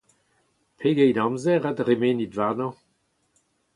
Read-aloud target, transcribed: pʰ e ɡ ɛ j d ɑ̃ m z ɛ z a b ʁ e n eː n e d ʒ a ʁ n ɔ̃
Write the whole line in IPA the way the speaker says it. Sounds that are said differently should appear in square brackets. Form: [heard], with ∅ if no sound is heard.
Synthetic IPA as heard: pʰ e ɡ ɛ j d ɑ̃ m z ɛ [ʁ] a [d] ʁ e [m] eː n [i] d [v] a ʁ n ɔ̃